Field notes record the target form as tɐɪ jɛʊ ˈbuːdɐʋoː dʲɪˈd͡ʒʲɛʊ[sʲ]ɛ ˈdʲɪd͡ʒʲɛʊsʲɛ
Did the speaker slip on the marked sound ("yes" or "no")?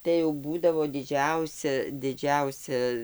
no